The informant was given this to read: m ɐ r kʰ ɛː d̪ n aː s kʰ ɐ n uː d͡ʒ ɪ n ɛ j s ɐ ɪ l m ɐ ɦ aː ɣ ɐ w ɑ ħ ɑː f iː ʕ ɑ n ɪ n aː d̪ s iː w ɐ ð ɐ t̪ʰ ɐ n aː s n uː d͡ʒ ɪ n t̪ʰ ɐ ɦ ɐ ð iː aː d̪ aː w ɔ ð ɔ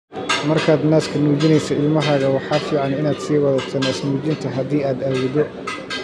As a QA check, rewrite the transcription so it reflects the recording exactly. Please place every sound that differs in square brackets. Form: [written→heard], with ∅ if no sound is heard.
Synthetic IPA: m ɐ r kʰ [ɛː→aː] d̪ n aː s kʰ ɐ n uː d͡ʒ ɪ n ɛ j s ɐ ɪ l m ɐ ɦ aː ɣ ɐ w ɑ ħ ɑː f iː ʕ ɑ n ɪ n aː d̪ s iː w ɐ ð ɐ t̪ʰ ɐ n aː s n uː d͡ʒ ɪ n t̪ʰ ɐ ɦ ɐ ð iː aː d̪ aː w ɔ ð ɔ